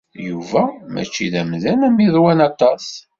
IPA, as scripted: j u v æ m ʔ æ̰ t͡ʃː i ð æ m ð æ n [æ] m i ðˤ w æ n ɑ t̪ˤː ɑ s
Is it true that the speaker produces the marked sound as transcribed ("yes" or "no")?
yes